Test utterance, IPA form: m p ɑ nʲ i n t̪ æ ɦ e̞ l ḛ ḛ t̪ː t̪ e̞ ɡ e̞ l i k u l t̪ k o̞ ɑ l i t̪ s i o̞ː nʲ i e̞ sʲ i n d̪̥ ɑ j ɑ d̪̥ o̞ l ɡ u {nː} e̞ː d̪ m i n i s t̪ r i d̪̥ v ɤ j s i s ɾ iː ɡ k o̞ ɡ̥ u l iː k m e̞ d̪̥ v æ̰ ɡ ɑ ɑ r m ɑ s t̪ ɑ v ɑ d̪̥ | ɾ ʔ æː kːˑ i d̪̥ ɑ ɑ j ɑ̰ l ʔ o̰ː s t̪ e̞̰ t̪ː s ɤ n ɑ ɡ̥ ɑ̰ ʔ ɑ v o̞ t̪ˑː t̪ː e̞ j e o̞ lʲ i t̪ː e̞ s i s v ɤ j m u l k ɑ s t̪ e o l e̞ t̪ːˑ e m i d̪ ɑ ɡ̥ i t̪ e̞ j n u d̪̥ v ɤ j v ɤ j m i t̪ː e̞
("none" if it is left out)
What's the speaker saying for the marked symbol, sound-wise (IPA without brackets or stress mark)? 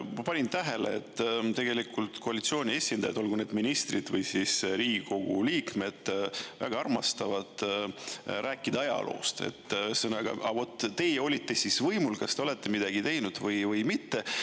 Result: n